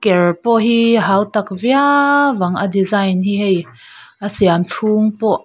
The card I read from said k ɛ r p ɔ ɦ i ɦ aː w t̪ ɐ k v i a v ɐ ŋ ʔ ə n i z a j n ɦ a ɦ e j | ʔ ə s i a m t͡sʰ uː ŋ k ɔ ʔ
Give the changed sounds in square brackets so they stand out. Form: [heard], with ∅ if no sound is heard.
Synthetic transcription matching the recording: k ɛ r p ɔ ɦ i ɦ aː w t̪ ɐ k v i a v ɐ ŋ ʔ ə [d] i z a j n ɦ [i] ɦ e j | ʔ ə s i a m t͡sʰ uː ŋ [p] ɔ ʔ